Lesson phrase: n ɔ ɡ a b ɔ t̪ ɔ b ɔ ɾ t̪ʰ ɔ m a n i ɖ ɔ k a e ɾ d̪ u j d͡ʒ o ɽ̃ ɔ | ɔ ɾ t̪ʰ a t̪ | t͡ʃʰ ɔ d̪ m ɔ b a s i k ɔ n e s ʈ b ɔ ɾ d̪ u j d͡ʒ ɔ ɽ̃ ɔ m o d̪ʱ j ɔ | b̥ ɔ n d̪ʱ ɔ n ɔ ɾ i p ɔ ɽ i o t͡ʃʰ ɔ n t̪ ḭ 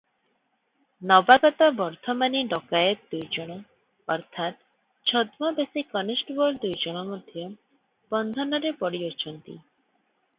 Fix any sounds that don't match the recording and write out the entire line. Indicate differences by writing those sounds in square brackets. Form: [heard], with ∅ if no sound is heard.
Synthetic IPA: n ɔ [b] a [ɡ] ɔ t̪ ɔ b ɔ ɾ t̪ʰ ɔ m a n i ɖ ɔ k a e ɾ d̪ u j d͡ʒ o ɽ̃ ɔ | ɔ ɾ t̪ʰ a t̪ | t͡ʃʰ ɔ d̪ m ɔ b [e] s i k ɔ n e s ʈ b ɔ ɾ d̪ u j d͡ʒ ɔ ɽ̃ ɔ m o d̪ʱ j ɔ | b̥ ɔ n d̪ʱ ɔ n ɔ ɾ [e] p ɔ ɽ i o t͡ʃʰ ɔ n t̪ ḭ

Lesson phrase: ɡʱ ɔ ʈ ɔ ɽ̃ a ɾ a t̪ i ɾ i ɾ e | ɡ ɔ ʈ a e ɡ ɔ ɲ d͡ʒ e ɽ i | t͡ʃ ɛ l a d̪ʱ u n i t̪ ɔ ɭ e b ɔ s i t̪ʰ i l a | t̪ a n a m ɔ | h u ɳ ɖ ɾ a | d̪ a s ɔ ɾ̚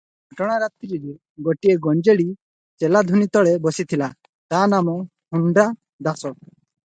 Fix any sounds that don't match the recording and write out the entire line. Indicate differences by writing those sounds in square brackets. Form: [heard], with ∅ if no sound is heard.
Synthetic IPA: ɡʱ ɔ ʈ ɔ ɽ̃ a ɾ a t̪ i ɾ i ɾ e | ɡ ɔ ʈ [i] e ɡ ɔ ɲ d͡ʒ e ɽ i | t͡ʃ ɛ l a d̪ʱ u n i t̪ ɔ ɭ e b ɔ s i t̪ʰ i l a | t̪ a n a m ɔ | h u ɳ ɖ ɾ a | d̪ a s ɔ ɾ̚

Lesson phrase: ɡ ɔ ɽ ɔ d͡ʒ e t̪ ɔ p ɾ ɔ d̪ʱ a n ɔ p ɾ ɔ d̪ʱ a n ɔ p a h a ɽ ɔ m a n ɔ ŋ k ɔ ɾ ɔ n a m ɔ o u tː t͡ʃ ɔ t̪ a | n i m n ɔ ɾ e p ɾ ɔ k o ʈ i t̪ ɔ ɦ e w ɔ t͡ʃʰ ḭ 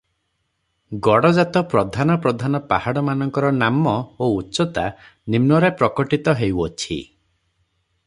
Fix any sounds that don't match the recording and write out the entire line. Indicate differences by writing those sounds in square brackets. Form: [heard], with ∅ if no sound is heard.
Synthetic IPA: ɡ ɔ ɽ ɔ d͡ʒ [a] t̪ ɔ p ɾ ɔ d̪ʱ a n ɔ p ɾ ɔ d̪ʱ a n ɔ p a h a ɽ ɔ m a n ɔ ŋ k ɔ ɾ ɔ n a m ɔ o u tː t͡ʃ ɔ t̪ a | n i m n ɔ ɾ e p ɾ ɔ k [ɔ] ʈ i t̪ ɔ ɦ e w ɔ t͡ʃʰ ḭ

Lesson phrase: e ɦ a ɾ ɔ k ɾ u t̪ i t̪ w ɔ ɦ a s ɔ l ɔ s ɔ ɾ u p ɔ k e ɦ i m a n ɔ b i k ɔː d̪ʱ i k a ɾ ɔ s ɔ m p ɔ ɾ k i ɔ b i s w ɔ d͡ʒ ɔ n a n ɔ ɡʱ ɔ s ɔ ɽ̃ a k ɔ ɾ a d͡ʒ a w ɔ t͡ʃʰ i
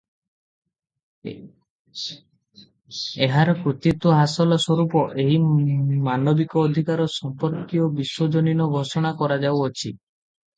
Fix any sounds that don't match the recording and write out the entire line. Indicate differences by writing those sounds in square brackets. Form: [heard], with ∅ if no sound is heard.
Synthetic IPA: e ɦ a ɾ ɔ k ɾ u t̪ i t̪ w ɔ ɦ a s ɔ l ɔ s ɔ ɾ u p ɔ [ʔ] e ɦ i m a n ɔ b i k ɔː d̪ʱ i k a ɾ ɔ s ɔ m p ɔ ɾ k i ɔ b i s w ɔ d͡ʒ ɔ n [i] n ɔ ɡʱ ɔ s ɔ ɽ̃ a k ɔ ɾ a d͡ʒ a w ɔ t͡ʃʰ i

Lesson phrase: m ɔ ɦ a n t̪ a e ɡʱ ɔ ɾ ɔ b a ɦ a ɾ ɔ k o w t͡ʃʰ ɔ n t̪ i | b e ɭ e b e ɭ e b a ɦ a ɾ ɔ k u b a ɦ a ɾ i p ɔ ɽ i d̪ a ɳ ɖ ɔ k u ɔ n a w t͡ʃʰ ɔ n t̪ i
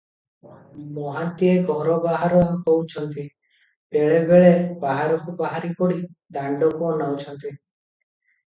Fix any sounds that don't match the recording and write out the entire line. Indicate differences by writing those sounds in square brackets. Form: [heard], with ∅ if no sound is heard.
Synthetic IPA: m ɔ ɦ a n t̪ [i] e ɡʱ ɔ ɾ ɔ b a ɦ a ɾ ɔ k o w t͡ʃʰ ɔ n t̪ i | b e ɭ e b e ɭ e b a ɦ a ɾ ɔ k u b a ɦ a ɾ i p ɔ ɽ i d̪ a ɳ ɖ ɔ k u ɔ n a w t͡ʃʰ ɔ n t̪ i

